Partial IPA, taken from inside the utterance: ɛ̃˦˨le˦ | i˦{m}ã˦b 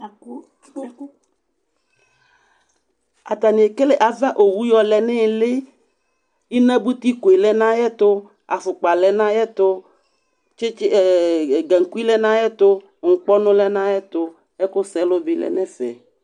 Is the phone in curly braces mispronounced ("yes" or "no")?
yes